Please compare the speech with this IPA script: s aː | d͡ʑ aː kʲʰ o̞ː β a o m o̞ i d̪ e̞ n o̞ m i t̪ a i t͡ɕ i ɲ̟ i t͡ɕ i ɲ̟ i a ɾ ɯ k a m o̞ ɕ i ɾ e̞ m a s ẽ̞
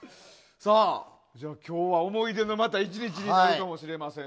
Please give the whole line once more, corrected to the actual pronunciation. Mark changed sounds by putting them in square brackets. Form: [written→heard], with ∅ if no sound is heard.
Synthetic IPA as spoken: s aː | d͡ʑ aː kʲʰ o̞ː β a o m o̞ i d̪ e̞ n o̞ m [i→a] t̪ a i t͡ɕ i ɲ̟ i t͡ɕ i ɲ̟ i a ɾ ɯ k a m o̞ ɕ i ɾ e̞ m a s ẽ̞